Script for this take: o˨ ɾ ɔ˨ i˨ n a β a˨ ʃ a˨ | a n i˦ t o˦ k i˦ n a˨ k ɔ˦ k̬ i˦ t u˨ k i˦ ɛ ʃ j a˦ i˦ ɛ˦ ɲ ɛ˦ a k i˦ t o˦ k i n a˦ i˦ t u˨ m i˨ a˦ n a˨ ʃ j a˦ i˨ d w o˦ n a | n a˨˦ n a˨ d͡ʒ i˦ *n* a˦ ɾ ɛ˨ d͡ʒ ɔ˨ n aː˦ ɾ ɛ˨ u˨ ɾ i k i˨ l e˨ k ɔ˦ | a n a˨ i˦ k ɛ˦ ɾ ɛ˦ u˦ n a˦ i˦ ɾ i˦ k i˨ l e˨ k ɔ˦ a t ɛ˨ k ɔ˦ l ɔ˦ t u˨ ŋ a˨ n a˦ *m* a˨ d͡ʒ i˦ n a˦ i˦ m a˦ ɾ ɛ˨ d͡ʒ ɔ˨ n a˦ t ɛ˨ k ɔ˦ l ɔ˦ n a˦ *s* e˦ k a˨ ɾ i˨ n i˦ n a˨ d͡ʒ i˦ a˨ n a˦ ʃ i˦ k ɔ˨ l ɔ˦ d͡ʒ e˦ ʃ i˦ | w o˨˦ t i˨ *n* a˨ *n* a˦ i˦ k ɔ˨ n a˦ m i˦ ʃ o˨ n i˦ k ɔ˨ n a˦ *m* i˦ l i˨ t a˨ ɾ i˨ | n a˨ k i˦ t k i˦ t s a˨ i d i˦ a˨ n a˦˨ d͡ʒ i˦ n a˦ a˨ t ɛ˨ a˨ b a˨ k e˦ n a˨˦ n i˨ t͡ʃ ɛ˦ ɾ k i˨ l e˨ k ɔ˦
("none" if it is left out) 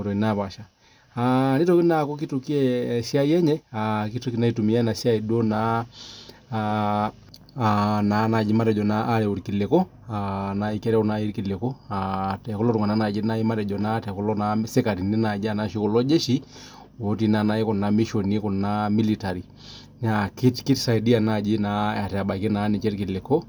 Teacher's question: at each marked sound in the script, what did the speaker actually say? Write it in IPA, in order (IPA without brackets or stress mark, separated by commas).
m, n, s, n, n, m